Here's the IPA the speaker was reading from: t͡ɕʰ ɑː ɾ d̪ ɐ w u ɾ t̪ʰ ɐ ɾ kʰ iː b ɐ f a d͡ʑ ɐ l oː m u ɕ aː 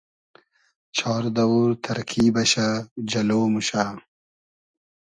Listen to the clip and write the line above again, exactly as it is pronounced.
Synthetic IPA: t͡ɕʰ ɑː ɾ d̪ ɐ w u ɾ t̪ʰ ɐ ɾ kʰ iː b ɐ ɕ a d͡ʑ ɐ l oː m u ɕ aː